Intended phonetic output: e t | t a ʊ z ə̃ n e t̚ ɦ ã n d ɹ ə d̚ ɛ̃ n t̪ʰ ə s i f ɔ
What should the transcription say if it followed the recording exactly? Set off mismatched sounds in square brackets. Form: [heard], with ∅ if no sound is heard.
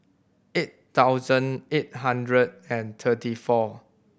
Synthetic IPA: e t | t a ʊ z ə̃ n e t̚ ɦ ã n d ɹ ə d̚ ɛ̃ n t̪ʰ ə [t] i f ɔ